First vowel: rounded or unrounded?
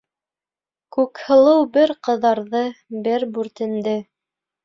rounded